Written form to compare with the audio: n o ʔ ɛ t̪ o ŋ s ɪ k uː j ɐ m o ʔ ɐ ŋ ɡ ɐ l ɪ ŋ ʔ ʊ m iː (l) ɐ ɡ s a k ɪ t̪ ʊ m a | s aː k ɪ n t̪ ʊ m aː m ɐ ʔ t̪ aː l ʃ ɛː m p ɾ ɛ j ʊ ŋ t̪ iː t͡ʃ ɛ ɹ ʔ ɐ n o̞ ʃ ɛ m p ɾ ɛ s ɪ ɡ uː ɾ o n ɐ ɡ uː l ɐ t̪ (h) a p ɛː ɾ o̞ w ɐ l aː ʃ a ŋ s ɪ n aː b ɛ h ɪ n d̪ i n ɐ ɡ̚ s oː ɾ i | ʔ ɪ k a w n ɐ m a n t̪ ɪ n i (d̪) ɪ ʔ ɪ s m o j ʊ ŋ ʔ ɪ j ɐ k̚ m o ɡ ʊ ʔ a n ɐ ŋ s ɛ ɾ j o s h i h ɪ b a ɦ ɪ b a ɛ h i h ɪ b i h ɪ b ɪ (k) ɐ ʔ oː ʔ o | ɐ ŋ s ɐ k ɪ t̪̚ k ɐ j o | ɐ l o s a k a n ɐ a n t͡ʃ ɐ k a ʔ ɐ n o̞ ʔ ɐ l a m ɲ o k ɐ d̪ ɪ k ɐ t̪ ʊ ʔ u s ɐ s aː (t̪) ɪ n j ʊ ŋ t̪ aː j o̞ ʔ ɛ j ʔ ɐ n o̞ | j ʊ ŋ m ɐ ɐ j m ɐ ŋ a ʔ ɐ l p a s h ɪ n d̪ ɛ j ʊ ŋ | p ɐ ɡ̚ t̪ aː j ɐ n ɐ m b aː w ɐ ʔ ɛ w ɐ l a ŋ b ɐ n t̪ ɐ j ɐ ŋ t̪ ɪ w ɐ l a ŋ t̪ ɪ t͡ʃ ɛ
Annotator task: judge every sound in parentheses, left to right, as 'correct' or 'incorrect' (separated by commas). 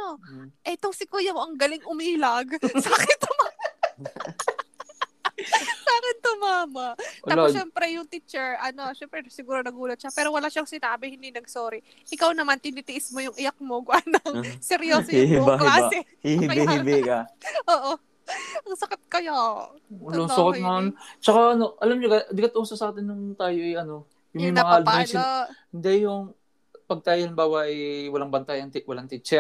correct, incorrect, incorrect, correct, correct